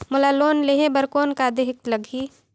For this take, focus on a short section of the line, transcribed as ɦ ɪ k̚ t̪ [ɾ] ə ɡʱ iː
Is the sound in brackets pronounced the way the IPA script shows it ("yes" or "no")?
no